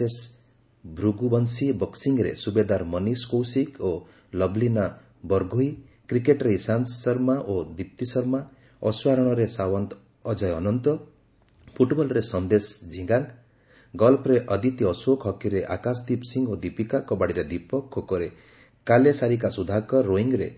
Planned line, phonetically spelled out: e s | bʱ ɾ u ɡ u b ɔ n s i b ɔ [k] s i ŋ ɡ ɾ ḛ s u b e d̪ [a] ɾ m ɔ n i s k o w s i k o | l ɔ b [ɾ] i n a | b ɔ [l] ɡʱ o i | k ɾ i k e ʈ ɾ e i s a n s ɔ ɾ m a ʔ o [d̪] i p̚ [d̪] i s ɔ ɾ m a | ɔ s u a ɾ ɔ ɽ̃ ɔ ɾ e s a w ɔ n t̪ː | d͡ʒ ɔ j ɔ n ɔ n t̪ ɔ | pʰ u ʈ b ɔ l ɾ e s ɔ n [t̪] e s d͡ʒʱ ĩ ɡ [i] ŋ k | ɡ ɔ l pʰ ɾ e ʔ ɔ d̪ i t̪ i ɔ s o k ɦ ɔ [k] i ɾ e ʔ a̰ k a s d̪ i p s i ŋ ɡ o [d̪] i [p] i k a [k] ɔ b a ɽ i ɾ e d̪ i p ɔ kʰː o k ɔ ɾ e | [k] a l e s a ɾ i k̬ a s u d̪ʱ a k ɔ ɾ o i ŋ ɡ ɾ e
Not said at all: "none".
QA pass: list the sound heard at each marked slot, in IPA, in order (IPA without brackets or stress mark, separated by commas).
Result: k, a, l, ɾ, d̪, t̪, d̪, a, k, d̪, p, k, k